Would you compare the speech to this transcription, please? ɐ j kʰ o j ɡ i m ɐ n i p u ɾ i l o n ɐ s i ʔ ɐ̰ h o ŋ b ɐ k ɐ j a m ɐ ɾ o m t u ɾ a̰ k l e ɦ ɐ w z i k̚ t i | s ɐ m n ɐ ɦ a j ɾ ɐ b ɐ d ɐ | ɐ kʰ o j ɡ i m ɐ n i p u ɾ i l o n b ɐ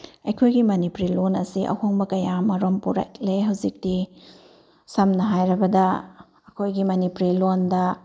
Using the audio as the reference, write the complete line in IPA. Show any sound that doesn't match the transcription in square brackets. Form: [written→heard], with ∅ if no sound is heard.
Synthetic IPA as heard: ɐ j kʰ o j ɡ i m ɐ n i p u ɾ i l o n ɐ s i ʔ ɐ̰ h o ŋ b ɐ k ɐ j a m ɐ ɾ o m [t→p] u ɾ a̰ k l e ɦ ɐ w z i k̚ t i | s ɐ m n ɐ ɦ a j ɾ ɐ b ɐ d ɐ | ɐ kʰ o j ɡ i m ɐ n i p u ɾ i l o n [b→d] ɐ